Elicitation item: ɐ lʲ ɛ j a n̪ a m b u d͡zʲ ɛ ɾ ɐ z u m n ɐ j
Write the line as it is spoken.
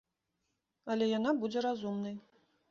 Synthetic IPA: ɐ lʲ ɛ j a n̪ a b u d͡zʲ ɛ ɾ a z u m n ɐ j